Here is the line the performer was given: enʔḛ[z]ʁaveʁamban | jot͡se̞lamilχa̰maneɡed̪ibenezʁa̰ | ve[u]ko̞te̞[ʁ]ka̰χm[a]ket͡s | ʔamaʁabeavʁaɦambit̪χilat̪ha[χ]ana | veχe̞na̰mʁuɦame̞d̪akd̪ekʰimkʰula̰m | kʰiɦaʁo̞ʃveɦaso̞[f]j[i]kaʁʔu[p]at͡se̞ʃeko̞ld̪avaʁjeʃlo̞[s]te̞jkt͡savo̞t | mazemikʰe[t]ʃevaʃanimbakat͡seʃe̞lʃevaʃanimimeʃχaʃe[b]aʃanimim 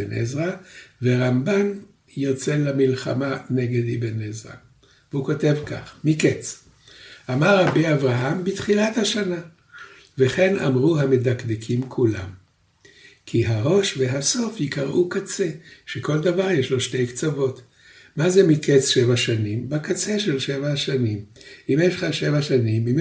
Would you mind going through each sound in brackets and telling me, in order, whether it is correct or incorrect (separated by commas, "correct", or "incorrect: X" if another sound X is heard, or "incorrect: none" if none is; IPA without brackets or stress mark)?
correct, correct, incorrect: v, incorrect: i, incorrect: ʃ, correct, correct, incorrect: k, incorrect: ʃ, incorrect: t͡s, incorrect: v